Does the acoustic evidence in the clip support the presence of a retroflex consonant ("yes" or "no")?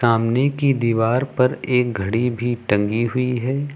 yes